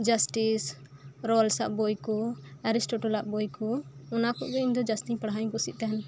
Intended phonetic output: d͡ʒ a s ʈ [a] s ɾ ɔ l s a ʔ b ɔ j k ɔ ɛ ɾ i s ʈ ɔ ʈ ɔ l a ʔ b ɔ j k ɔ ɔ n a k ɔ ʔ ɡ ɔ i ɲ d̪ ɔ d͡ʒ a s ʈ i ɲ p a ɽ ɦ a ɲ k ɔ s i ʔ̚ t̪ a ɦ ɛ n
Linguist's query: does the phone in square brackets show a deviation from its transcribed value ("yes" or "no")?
yes